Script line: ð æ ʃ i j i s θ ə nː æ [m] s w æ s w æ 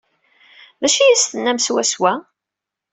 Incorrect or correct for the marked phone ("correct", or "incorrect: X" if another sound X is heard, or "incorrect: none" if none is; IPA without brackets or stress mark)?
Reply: correct